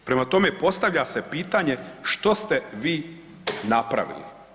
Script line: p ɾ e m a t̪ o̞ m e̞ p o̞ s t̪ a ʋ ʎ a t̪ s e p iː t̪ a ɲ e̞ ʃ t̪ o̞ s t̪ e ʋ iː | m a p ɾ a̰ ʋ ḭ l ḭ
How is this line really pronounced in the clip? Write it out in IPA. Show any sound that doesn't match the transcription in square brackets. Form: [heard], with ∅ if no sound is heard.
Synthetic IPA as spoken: p ɾ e m a t̪ o̞ m e̞ p o̞ s t̪ a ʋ ʎ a [∅] s e p iː t̪ a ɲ e̞ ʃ t̪ o̞ s t̪ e ʋ iː | [n] a p ɾ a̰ ʋ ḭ l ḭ